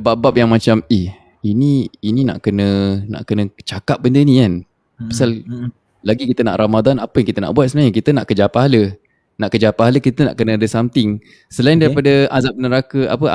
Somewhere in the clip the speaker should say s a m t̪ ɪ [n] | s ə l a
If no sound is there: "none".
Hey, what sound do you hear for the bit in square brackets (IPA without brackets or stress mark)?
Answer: ŋ